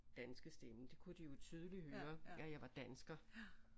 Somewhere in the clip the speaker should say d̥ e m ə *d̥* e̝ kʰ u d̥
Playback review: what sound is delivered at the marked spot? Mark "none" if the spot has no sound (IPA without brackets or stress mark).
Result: d̥